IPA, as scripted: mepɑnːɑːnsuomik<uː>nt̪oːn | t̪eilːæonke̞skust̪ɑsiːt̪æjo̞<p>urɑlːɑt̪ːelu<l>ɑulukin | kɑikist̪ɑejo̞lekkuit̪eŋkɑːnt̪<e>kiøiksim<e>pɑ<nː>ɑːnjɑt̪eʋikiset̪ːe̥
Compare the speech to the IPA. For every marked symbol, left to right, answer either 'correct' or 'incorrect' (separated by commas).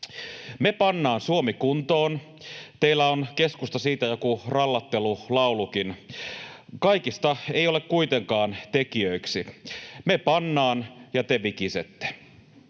incorrect, incorrect, correct, correct, correct, correct